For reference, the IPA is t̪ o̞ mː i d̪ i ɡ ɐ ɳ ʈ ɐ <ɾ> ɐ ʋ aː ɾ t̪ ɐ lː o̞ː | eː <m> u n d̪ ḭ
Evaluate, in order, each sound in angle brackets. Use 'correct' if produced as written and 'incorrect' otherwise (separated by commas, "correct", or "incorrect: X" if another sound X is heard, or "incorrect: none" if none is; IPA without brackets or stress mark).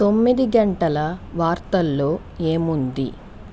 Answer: incorrect: l, correct